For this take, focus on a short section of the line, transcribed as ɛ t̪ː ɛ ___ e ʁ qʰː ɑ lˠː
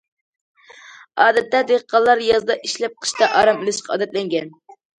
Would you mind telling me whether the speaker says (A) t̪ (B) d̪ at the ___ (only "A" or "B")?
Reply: B